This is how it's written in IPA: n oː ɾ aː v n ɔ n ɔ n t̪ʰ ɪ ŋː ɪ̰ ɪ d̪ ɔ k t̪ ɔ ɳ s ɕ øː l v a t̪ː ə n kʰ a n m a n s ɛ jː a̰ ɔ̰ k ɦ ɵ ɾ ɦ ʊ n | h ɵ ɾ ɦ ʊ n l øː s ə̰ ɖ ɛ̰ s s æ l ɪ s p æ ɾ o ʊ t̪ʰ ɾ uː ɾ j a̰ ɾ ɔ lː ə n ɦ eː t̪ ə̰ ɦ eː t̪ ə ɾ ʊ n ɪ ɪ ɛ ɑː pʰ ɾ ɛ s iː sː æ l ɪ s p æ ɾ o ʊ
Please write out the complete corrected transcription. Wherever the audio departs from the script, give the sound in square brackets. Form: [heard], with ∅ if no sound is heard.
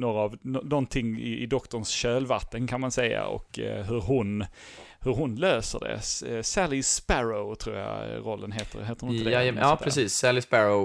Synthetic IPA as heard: n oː ɾ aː v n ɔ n ɔ n t̪ʰ ɪ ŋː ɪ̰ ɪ d̪ ɔ k t̪ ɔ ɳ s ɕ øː l v a t̪ː ə n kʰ a n m a n s ɛ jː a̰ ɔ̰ k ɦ ɵ ɾ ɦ ʊ n | h ɵ ɾ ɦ ʊ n l øː s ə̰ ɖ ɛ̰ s s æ l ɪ s p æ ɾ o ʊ t̪ʰ ɾ uː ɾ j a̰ ɾ ɔ lː ə n ɦ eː t̪ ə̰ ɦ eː t̪ ə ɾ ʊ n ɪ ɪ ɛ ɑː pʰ ɾ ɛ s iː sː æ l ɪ s p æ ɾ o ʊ